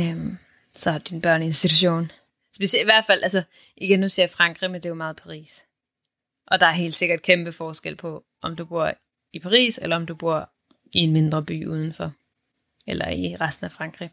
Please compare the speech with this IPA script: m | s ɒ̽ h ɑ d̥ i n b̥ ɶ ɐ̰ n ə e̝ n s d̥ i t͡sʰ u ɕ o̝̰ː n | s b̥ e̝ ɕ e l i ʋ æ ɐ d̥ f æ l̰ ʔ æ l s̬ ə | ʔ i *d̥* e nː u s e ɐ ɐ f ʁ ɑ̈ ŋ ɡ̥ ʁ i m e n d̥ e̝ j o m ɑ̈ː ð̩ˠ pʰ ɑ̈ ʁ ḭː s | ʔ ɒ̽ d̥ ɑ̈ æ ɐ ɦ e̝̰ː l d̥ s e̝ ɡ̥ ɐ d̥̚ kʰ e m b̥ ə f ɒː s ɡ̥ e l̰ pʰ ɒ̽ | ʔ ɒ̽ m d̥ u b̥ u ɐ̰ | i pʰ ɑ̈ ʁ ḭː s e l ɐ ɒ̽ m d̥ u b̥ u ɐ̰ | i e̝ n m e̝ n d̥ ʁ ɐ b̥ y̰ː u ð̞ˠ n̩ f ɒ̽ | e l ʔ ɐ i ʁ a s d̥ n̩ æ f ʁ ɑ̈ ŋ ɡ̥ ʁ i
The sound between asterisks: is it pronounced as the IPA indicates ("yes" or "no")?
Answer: no